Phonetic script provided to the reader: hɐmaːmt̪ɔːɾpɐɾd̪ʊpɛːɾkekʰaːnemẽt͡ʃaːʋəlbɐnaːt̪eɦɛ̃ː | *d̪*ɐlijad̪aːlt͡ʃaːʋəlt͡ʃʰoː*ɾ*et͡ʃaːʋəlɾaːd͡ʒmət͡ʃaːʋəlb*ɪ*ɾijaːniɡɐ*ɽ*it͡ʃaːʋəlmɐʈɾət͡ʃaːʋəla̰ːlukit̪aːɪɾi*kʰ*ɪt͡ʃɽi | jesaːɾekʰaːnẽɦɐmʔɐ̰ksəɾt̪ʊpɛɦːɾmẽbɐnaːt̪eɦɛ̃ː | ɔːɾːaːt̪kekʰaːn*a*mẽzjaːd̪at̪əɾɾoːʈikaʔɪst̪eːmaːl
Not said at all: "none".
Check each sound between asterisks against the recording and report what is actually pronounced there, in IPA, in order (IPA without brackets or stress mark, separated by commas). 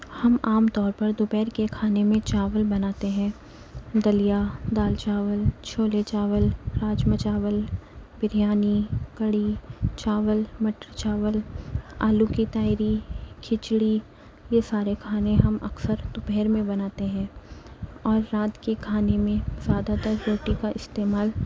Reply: d̪, l, ɪ, ɽ, kʰ, e